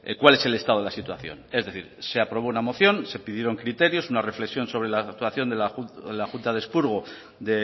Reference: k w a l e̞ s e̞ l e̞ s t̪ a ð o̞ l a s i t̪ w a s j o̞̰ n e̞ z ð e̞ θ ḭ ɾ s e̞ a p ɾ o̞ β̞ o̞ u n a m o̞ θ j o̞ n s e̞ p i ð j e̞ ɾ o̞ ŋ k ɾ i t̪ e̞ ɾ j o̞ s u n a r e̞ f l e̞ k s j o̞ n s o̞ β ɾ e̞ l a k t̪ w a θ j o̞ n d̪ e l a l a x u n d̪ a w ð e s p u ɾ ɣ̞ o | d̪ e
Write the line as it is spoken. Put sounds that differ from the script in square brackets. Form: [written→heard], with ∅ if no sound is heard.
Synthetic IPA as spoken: k w a l e̞ s e̞ l e̞ s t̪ a ð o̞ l a s i t̪ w a [s→θ] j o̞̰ n e̞ z ð e̞ θ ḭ ɾ s e̞ a p ɾ o̞ β̞ o̞ u n a m o̞ θ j o̞ n s e̞ p i ð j e̞ ɾ o̞ ŋ k ɾ i t̪ e̞ ɾ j o̞ s u n a r e̞ f l e̞ k s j o̞ n s o̞ β ɾ e̞ l a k t̪ w a θ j o̞ n d̪ e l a l a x u n [d̪→t̪] a [w→∅] ð e s p u ɾ ɣ̞ o | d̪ e

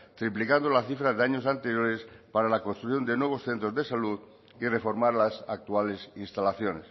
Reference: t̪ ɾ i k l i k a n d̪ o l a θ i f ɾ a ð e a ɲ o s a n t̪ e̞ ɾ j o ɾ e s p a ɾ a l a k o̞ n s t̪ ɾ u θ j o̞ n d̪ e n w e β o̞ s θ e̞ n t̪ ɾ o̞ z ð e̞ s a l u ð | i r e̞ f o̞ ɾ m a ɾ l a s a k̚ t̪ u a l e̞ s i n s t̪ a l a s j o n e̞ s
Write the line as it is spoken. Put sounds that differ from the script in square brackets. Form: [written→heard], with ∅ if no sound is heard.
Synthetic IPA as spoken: t̪ ɾ i [k→p] l i k a n d̪ o l a θ i f ɾ a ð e a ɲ o s a n t̪ e̞ ɾ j o ɾ e s p a ɾ a l a k o̞ n s t̪ ɾ u θ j o̞ n d̪ e n w e β o̞ s θ e̞ n t̪ ɾ o̞ z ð e̞ s a l u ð | i r e̞ f o̞ ɾ m a ɾ l a s a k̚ t̪ u a l e̞ s i n s t̪ a l a [s→θ] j o n e̞ s

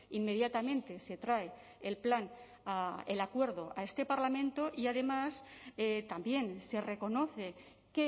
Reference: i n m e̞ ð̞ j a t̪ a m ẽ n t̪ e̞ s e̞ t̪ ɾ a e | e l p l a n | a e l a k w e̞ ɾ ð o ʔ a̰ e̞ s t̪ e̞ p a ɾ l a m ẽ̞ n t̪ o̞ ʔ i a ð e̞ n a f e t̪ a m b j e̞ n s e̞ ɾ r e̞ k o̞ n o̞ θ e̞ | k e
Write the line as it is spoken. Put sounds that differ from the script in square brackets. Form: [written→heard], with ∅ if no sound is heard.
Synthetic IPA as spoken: i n m e̞ ð̞ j a t̪ a m ẽ n t̪ e̞ s e̞ t̪ ɾ a e | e l p l a n | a e l a k w e̞ ɾ ð o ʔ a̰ e̞ s t̪ e̞ p a ɾ l a m ẽ̞ n t̪ o̞ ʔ i a ð e̞ [n→m] a [f→s] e t̪ a m b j e̞ n s e̞ [ɾ→∅] r e̞ k o̞ n o̞ θ e̞ | k e

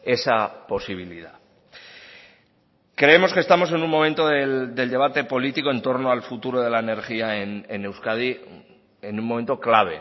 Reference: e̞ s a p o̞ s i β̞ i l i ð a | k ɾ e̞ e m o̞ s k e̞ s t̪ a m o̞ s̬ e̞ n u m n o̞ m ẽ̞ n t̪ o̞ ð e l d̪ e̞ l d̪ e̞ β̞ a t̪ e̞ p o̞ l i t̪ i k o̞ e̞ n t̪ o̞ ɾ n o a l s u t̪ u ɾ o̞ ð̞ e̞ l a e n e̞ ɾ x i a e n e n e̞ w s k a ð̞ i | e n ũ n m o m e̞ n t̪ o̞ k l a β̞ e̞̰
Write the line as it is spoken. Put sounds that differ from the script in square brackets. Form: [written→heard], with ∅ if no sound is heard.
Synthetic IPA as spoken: e̞ s a p o̞ s i β̞ i l i ð a | k ɾ e̞ e m o̞ s k e̞ s t̪ a m o̞ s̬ e̞ n u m [n→m] o̞ m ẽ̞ n t̪ o̞ ð e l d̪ e̞ l d̪ e̞ β̞ a t̪ e̞ p o̞ l i t̪ i k o̞ e̞ n t̪ o̞ ɾ n o a l [s→f] u t̪ u ɾ o̞ ð̞ e̞ l a e n e̞ ɾ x i a e n e n e̞ w s k a ð̞ i | e n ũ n m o m e̞ n t̪ o̞ k l a β̞ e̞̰

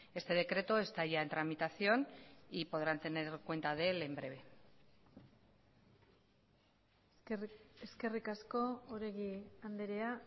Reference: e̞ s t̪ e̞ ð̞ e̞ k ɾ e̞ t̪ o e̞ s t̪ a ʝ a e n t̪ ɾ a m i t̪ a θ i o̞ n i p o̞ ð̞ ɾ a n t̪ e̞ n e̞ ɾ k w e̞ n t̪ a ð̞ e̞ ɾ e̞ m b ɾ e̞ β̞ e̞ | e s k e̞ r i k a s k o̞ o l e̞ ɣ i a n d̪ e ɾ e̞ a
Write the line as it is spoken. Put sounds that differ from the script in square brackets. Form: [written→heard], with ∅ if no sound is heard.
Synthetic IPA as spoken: e̞ s t̪ e̞ ð̞ e̞ k ɾ e̞ t̪ o e̞ s t̪ a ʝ a e n t̪ ɾ a m i t̪ a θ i o̞ n i p o̞ ð̞ ɾ a n t̪ e̞ n e̞ ɾ k w e̞ n t̪ a ð̞ e̞ [ɾ→l] e̞ m b ɾ e̞ β̞ e̞ | e s k e̞ r i k a s k o̞ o [l→ɾ] e̞ ɣ i a n d̪ e ɾ e̞ a

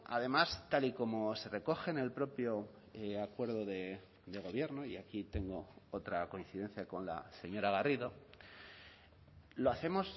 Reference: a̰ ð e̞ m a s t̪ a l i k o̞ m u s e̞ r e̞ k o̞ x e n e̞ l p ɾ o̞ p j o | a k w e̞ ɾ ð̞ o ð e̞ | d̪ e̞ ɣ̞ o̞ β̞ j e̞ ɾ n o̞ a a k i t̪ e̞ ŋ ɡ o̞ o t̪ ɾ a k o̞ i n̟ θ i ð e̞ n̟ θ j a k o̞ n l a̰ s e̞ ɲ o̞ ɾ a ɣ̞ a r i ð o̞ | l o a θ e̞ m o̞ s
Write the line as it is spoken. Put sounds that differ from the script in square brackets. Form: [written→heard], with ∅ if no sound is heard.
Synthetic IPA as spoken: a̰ ð e̞ m a s t̪ a l i k o̞ m [u→o] s e̞ r e̞ k o̞ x e n e̞ l p ɾ o̞ p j o | a k w e̞ ɾ ð̞ o ð e̞ | d̪ e̞ ɣ̞ o̞ β̞ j e̞ ɾ n o̞ [a→i] a k i t̪ e̞ ŋ ɡ o̞ o t̪ ɾ a k o̞ i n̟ θ i ð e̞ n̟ θ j a k o̞ n l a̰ s e̞ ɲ o̞ ɾ a ɣ̞ a r i ð o̞ | l o a θ e̞ m o̞ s

